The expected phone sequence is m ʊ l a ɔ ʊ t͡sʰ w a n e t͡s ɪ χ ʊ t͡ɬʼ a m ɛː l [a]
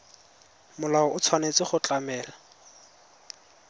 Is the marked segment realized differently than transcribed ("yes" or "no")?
no